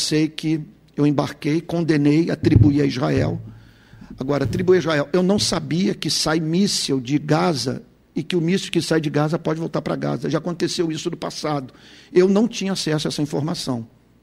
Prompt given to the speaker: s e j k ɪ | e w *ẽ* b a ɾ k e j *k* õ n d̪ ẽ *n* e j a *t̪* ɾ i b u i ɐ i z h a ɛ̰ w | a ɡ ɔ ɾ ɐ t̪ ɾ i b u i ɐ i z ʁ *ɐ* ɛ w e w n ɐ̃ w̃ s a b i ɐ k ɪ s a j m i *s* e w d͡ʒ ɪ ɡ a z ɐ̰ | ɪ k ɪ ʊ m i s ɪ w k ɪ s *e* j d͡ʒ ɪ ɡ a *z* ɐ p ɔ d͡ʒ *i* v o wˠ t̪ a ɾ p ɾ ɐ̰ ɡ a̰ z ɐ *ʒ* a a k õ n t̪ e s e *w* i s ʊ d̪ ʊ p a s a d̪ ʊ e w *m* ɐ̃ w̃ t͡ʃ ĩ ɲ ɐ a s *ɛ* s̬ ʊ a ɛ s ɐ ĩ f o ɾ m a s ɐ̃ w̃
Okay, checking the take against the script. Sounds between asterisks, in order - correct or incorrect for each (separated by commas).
correct, correct, correct, correct, incorrect, correct, incorrect, correct, incorrect, correct, correct, incorrect, correct